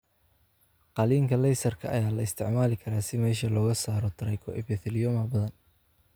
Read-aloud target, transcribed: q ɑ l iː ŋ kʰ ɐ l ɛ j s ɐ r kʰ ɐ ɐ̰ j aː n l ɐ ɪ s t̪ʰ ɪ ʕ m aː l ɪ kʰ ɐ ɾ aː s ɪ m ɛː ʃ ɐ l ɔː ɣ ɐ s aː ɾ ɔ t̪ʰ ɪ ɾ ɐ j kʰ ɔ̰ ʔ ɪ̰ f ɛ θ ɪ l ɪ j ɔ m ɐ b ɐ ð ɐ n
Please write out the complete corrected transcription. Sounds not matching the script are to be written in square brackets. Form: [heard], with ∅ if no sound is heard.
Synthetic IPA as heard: q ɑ l iː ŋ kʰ ɐ l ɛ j s ɐ r kʰ ɐ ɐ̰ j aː [∅] l ɐ ɪ s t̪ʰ ɪ ʕ m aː l ɪ kʰ ɐ ɾ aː s ɪ m ɛː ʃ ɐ l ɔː ɣ ɐ s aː ɾ ɔ t̪ʰ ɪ ɾ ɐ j kʰ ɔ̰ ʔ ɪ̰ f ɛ θ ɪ l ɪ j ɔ m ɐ b ɐ ð ɐ n